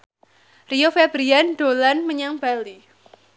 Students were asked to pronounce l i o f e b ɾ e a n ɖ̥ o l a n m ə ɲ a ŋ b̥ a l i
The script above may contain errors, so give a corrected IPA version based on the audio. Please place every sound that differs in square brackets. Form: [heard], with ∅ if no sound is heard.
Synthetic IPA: [r] i o f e b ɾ [i] a n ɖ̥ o l a n m ə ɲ a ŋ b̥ a l i